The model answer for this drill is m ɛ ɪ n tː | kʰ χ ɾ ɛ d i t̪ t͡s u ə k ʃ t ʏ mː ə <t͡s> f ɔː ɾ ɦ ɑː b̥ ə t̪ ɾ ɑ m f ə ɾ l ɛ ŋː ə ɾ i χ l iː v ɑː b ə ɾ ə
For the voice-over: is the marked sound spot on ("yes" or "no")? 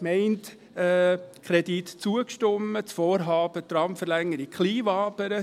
yes